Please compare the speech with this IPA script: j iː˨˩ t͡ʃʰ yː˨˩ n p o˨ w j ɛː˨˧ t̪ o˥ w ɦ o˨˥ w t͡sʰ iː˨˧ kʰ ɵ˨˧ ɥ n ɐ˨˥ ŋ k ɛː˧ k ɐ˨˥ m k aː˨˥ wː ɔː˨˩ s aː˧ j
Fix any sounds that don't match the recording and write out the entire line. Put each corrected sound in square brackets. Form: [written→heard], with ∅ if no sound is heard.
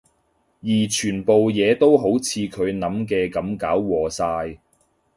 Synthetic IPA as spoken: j iː˨˩ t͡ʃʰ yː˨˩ n p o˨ w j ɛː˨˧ t̪ o˥ w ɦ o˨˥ w t͡sʰ iː˨˧ kʰ ɵ˨˧ ɥ n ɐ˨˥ [ŋ→m] k ɛː˧ k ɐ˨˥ m k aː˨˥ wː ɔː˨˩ s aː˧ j